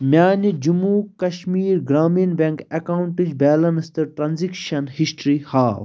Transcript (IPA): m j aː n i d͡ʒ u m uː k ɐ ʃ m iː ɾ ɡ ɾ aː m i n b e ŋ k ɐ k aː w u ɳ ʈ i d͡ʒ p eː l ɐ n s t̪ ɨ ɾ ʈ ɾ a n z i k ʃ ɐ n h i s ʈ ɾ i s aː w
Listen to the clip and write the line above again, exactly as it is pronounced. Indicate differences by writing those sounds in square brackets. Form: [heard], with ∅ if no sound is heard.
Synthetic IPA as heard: m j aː n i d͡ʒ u m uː k ɐ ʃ m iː ɾ ɡ ɾ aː m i n b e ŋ k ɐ k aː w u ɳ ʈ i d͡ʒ [b] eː l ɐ n s t̪ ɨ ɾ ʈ ɾ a n z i k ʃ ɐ n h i s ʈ ɾ i [h] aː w